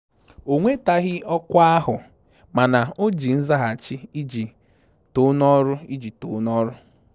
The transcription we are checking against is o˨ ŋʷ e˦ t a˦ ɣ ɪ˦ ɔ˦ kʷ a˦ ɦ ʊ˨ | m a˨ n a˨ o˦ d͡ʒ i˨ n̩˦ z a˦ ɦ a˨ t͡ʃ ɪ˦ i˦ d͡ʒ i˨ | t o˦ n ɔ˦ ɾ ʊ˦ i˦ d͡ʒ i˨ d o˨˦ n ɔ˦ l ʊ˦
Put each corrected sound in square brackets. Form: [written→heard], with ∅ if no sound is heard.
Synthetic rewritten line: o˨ ŋʷ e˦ t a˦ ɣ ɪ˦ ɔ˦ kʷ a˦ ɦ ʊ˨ | m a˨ n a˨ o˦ d͡ʒ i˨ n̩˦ z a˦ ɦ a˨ t͡ʃ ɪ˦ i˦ d͡ʒ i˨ | t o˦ n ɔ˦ ɾ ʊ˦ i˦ d͡ʒ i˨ [d→t] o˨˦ n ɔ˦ [l→ɾ] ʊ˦